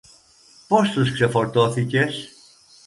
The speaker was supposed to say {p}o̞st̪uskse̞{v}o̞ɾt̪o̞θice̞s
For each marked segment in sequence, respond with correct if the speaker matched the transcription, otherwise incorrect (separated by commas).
correct, incorrect